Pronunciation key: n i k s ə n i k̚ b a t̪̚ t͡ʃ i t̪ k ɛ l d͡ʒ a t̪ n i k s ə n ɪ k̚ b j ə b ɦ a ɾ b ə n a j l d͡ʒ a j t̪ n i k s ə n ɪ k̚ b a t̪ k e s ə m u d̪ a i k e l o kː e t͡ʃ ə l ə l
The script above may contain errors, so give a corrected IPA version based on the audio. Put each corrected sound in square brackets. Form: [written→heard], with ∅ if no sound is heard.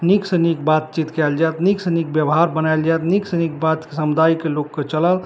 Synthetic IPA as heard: n i k s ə n i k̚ b a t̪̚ t͡ʃ i t̪ k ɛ l d͡ʒ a t̪ n i k s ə n [ɪ→i] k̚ b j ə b ɦ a ɾ b ə n a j l d͡ʒ a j t̪ n i k s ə n [ɪ→i] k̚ b a t̪ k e s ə m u d̪ a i k e l o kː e t͡ʃ ə l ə l